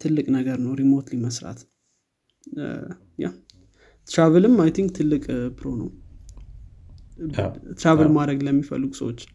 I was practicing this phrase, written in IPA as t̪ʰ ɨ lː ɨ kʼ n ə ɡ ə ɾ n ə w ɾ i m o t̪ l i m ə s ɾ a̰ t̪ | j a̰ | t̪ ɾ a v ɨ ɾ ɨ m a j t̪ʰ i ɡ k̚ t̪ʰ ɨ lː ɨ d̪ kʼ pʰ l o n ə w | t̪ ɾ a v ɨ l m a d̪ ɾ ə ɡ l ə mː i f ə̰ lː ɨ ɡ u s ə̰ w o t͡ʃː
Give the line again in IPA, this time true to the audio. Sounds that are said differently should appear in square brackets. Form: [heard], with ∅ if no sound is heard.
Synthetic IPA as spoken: t̪ʰ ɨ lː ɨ kʼ n ə ɡ ə ɾ n ə w ɾ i m o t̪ l i m ə s ɾ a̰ t̪ | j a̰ | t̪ ɾ a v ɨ [l] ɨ m a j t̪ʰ i [ŋ] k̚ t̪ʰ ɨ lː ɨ [∅] kʼ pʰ [ɾ] o n ə w | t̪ ɾ a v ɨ l m a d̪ ɾ ə ɡ l ə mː i f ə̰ lː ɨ ɡ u s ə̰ w o t͡ʃː